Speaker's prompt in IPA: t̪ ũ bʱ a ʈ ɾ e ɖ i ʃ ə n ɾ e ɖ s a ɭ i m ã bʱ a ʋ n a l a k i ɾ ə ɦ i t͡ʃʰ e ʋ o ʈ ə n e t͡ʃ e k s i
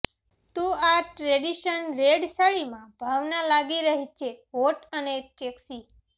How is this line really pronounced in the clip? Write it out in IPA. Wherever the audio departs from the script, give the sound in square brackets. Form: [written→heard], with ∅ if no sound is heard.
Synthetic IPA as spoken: t̪ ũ [bʱ→∅] a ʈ ɾ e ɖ i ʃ ə n ɾ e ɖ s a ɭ i m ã bʱ a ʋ n a l a [k→ɡ] i ɾ ə ɦ i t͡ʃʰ e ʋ o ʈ ə n e t͡ʃ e k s i